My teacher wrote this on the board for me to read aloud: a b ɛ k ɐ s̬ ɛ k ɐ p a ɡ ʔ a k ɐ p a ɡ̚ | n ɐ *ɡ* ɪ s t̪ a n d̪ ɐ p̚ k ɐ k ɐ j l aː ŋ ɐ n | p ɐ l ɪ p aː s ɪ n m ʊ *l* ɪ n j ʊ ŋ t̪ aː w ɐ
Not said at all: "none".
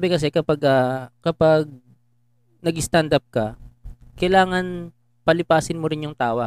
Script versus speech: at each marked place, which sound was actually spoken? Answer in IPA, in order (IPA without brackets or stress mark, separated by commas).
ɡ, ɾ